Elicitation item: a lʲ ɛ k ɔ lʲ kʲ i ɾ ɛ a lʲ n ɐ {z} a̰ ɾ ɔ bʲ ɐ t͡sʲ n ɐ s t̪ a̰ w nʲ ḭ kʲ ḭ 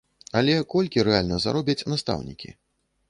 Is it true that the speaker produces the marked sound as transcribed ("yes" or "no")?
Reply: yes